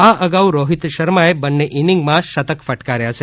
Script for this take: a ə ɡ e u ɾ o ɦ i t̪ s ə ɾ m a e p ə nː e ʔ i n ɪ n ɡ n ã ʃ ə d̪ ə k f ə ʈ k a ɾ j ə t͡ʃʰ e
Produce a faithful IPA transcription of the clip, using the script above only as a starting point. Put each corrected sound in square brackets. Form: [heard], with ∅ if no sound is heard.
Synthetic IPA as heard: a ə ɡ [a] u ɾ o ɦ i t̪ [ʃ] ə ɾ m a e [b] ə nː e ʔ i n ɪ [ŋ] ɡ [m] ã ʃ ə [t̪] ə k f ə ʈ k a ɾ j [a] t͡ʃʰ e